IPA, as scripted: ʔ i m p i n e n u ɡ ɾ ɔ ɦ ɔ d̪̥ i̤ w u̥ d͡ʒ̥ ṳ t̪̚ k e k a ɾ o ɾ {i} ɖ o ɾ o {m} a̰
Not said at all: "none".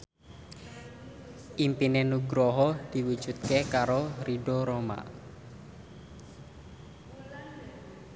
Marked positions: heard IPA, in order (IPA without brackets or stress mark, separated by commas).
i, m